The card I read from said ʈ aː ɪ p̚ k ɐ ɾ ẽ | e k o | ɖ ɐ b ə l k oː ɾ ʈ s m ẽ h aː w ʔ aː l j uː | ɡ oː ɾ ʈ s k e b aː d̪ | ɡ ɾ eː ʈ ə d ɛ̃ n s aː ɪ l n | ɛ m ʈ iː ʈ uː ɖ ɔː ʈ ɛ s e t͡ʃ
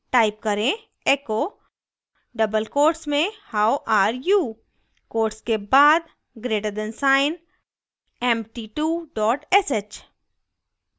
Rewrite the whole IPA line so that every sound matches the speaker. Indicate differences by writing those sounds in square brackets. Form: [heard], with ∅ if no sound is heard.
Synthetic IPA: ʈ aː ɪ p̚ k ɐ ɾ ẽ | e k o | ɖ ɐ b ə l k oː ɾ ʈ s m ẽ h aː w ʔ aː [ɾ] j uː | [k] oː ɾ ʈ s k e b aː d̪ | ɡ ɾ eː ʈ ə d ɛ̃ n s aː ɪ [∅] n | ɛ m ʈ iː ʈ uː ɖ ɔː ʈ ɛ s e t͡ʃ